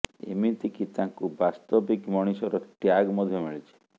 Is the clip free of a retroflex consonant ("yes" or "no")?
no